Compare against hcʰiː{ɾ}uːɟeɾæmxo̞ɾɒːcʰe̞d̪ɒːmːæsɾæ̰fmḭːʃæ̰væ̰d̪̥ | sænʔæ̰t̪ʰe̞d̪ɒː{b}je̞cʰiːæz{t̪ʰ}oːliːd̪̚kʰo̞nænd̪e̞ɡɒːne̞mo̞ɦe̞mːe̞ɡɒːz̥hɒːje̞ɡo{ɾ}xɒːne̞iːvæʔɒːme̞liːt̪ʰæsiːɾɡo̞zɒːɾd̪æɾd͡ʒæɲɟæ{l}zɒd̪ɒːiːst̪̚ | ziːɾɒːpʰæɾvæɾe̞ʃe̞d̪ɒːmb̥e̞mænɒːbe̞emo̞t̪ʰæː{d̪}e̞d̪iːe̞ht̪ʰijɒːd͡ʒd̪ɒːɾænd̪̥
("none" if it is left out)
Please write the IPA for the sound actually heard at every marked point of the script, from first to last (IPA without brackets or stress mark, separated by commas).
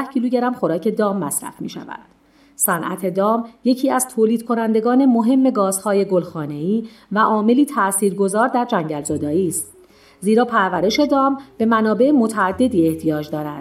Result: l, m, t̪ʰ, l, l, d̪ː